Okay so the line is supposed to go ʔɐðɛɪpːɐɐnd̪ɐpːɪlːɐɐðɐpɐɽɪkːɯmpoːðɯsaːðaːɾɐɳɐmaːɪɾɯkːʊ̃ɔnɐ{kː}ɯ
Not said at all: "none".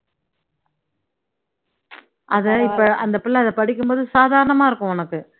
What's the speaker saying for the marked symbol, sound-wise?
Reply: kː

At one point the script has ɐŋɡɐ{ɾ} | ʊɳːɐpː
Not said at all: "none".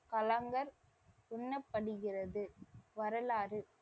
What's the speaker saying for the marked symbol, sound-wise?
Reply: ɾ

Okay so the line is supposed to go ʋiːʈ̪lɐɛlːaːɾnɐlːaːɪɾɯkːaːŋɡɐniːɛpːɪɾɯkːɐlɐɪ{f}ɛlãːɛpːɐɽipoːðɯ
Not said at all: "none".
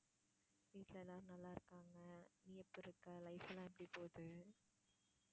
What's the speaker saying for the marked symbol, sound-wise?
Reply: f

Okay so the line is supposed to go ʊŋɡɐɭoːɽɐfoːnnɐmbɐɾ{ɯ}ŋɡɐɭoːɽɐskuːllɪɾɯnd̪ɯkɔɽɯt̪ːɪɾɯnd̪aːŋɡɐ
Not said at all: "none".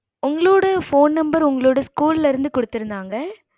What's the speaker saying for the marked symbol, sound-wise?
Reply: ʊ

